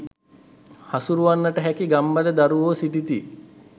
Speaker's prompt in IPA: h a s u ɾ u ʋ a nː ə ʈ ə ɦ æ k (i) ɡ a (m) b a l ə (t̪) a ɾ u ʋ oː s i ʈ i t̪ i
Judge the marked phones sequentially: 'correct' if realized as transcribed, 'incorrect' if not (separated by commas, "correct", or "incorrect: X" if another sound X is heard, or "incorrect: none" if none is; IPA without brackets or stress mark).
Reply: correct, correct, incorrect: d̪